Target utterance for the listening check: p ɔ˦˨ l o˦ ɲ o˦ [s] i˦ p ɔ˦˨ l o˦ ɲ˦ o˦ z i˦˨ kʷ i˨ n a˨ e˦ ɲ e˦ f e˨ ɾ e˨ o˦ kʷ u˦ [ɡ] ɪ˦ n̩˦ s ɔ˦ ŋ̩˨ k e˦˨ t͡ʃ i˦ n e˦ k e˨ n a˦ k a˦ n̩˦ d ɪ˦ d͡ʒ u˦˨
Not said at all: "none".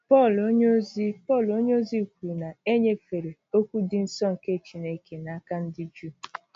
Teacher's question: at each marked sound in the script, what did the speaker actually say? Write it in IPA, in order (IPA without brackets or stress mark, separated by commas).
z, d